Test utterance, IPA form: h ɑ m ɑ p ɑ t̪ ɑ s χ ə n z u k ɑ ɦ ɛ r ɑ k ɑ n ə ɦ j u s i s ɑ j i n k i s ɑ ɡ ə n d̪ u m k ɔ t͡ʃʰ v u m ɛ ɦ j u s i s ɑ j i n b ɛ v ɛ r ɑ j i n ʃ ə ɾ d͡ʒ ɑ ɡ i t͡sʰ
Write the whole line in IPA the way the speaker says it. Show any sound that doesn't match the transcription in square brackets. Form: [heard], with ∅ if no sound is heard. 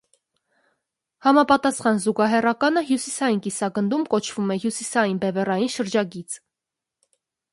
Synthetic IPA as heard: h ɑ m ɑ p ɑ t̪ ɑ s χ [ɑ] n z u [ɡ] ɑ ɦ ɛ r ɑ k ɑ n ə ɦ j u s i s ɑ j i n k i s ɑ ɡ ə n d̪ u m k ɔ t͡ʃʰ v u m ɛ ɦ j u s i s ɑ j i n b ɛ v ɛ r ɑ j i n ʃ ə ɾ d͡ʒ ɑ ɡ i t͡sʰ